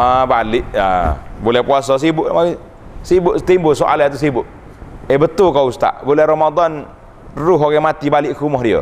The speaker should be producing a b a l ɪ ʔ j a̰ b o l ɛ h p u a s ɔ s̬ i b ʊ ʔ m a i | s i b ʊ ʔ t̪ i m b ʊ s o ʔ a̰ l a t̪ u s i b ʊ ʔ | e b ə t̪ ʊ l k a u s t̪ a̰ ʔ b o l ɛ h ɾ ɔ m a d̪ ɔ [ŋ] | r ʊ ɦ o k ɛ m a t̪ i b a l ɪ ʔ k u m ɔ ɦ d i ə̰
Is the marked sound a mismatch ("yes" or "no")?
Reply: yes